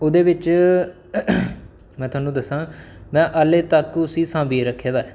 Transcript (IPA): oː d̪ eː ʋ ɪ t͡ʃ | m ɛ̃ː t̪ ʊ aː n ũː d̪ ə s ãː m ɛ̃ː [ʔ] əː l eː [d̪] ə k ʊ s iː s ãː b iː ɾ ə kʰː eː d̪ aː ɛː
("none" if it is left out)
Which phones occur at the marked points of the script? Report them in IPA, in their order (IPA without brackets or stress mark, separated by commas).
ʔ, t̪